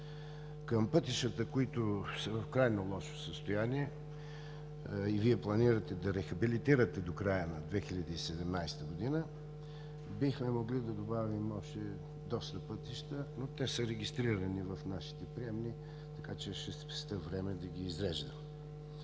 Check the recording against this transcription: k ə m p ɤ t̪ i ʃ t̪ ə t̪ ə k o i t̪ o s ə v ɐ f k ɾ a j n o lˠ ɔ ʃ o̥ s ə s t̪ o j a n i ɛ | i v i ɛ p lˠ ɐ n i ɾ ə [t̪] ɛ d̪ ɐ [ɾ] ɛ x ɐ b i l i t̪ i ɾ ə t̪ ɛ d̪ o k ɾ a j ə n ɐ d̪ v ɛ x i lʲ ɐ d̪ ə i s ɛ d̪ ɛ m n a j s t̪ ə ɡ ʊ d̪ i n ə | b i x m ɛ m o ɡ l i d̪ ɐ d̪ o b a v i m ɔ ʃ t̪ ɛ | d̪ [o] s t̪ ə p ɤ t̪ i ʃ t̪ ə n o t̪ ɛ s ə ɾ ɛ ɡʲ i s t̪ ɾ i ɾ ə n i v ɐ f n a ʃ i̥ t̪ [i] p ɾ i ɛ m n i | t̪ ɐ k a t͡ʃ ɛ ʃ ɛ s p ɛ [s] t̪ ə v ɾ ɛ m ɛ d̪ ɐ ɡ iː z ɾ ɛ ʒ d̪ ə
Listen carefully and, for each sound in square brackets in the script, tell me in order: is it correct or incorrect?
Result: correct, correct, incorrect, incorrect, correct

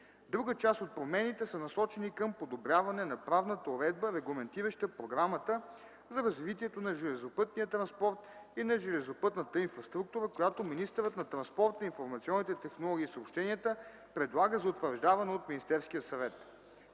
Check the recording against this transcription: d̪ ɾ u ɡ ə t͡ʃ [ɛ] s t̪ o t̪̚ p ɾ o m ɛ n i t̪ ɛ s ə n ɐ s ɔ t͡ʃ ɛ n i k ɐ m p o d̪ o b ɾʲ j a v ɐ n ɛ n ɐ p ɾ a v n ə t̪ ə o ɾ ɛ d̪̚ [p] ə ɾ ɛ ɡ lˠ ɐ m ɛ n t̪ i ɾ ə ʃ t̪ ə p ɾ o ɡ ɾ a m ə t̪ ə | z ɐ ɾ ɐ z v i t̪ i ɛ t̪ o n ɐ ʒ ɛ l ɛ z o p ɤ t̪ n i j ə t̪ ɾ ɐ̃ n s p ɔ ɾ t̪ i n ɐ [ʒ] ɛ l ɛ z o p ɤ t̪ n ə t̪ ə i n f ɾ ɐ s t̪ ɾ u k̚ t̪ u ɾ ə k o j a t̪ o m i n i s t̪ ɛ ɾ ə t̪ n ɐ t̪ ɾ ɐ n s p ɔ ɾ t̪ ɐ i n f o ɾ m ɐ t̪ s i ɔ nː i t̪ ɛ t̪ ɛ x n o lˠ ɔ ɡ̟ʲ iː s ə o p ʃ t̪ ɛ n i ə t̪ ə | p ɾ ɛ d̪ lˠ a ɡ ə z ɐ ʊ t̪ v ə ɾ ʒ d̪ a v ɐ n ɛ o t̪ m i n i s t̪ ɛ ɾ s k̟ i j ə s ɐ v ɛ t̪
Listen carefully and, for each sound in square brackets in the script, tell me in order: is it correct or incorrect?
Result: incorrect, incorrect, correct

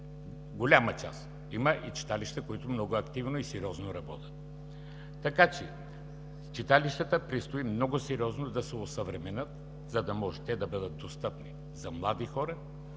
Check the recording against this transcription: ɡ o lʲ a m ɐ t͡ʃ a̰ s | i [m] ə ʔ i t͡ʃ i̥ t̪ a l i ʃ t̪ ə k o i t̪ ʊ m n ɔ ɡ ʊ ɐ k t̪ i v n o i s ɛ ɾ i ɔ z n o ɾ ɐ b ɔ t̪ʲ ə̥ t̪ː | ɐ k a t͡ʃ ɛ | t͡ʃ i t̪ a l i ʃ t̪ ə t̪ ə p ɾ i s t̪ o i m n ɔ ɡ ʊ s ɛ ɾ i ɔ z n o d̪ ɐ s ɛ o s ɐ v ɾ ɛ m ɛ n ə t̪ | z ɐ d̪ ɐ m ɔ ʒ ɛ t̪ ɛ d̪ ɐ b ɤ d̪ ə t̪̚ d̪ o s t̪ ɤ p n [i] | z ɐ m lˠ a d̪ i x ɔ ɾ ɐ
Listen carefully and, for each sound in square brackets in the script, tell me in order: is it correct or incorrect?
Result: correct, correct

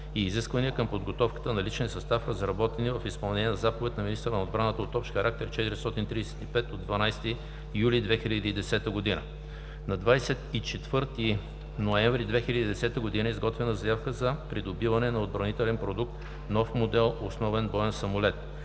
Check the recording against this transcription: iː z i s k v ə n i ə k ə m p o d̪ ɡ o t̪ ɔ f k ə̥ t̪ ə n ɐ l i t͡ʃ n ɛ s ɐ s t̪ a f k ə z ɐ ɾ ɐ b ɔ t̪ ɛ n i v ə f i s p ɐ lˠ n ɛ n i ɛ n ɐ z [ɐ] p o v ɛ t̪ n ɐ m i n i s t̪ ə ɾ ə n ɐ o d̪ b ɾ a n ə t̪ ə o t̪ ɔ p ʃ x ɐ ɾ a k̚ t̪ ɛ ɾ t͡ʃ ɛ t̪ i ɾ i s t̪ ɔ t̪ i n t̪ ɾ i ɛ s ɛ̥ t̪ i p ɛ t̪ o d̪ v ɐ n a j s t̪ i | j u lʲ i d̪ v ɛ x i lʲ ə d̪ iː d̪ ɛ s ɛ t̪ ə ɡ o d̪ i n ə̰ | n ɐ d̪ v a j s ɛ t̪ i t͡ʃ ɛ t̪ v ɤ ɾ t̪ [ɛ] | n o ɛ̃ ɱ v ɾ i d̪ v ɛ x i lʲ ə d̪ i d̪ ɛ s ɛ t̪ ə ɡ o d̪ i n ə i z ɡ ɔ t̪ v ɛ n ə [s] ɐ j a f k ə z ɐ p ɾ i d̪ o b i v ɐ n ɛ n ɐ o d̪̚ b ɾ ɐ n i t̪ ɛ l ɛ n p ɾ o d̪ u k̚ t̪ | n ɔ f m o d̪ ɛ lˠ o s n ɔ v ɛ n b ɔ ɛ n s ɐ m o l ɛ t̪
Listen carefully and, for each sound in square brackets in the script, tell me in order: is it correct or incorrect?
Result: incorrect, incorrect, incorrect

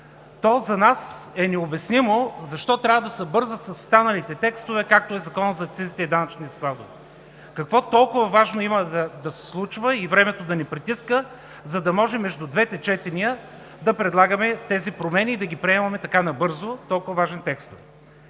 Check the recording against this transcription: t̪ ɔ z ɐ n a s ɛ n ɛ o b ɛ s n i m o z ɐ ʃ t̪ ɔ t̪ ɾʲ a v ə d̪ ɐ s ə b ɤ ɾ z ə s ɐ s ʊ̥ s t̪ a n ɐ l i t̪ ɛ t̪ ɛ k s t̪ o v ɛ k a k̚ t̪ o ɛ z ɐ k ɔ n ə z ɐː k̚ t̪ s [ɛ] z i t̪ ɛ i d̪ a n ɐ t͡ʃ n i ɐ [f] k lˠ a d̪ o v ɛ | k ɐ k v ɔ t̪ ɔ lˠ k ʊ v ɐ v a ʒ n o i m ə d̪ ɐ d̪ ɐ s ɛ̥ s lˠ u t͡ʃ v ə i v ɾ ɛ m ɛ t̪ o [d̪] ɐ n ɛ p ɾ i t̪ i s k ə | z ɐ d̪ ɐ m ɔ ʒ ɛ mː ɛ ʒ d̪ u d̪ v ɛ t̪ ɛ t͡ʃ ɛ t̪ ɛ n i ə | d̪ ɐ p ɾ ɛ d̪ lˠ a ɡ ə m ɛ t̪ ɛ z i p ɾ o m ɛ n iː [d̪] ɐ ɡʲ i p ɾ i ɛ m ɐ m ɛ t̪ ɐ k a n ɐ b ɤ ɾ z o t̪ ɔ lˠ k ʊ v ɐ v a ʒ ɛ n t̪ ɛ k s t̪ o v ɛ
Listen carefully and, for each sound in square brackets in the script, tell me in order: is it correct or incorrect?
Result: incorrect, incorrect, correct, correct

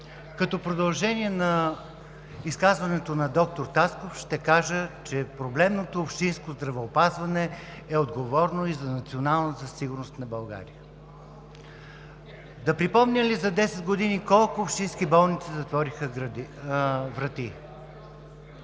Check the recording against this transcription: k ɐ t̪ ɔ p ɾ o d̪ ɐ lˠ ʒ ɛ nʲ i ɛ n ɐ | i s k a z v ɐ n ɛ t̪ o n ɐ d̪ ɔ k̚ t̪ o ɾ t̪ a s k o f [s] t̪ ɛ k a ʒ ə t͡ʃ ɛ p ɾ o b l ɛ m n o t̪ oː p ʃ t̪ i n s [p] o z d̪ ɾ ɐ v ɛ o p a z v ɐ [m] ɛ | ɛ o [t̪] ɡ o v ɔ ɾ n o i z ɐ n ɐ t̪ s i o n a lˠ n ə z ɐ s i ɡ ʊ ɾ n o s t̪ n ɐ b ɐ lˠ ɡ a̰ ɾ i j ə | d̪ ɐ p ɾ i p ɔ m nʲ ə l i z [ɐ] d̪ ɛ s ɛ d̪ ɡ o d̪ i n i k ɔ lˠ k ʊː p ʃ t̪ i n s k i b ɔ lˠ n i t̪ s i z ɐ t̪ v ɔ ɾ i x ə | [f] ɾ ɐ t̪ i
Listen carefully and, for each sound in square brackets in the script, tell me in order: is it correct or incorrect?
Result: incorrect, incorrect, incorrect, incorrect, correct, incorrect

